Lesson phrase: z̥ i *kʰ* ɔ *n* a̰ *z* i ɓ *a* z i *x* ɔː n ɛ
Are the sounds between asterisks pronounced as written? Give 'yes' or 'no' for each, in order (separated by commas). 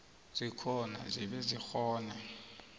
yes, yes, yes, no, yes